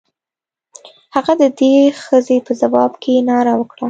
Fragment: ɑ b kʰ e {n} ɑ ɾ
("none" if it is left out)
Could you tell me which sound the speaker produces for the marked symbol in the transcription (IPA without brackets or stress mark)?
n